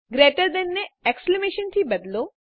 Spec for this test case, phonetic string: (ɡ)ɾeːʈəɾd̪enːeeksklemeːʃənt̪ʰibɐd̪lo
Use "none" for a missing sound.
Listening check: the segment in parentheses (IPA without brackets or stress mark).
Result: ɡ